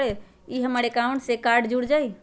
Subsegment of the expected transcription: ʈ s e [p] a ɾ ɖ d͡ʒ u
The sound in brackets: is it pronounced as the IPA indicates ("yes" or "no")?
no